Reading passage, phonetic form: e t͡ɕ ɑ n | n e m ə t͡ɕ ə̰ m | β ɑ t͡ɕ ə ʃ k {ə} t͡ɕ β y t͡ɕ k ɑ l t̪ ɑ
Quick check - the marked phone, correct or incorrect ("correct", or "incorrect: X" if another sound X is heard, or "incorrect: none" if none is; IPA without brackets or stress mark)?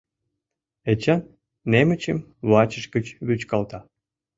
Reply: correct